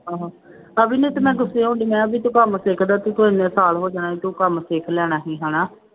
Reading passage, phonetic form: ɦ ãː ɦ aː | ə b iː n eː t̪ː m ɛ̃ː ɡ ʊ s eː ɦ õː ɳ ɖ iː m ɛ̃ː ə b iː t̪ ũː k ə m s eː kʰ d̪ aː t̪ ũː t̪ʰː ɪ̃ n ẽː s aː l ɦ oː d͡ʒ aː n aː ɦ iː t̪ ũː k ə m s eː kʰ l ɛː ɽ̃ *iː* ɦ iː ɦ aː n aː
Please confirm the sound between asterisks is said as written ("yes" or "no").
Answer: no